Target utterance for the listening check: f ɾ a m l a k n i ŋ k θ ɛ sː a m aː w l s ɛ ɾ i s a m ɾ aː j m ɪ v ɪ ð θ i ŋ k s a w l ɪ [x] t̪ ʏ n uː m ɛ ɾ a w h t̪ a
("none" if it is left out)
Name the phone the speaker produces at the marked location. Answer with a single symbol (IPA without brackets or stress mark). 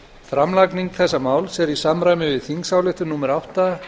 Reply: h